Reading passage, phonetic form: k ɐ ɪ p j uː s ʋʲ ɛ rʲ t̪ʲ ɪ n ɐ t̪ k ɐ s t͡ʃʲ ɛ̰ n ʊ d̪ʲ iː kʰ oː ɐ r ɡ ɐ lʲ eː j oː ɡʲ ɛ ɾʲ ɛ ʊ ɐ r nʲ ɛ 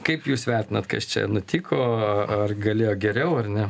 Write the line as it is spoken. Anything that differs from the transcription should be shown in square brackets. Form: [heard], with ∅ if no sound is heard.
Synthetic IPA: k ɐ ɪ p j uː s ʋʲ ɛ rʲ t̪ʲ ɪ n ɐ t̪ k ɐ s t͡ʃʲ ɛ̰ n ʊ [t̪ʲ] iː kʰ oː ɐ r ɡ ɐ lʲ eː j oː ɡʲ ɛ ɾʲ ɛ ʊ ɐ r nʲ ɛ